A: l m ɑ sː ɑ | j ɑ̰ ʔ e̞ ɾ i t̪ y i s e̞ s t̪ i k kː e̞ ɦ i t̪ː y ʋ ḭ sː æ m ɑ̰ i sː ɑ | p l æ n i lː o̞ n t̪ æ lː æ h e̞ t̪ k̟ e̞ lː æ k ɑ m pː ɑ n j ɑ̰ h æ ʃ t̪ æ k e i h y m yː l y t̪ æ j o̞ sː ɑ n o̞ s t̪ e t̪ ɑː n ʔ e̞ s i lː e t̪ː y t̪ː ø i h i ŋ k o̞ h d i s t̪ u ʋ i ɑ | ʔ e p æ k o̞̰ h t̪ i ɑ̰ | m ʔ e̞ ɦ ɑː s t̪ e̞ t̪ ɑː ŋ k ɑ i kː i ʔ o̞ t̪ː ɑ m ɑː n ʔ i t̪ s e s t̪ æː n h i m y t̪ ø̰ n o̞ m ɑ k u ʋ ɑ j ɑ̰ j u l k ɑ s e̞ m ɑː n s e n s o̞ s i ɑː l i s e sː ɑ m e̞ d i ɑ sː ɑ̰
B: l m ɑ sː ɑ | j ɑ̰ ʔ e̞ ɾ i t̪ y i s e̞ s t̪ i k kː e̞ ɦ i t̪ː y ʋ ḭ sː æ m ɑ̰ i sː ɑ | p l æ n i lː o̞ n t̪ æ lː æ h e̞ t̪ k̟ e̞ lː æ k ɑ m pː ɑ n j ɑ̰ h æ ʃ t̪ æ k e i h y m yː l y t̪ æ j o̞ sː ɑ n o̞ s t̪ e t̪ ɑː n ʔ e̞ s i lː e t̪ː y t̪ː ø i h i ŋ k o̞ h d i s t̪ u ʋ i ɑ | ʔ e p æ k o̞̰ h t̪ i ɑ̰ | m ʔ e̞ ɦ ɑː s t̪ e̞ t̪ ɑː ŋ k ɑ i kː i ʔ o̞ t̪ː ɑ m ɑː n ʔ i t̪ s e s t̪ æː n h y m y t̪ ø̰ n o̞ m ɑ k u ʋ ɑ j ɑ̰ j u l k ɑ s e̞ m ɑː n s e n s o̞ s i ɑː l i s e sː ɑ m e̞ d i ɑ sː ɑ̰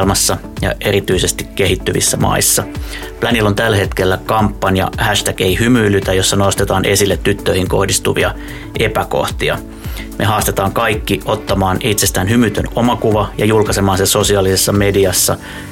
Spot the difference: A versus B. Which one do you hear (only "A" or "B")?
B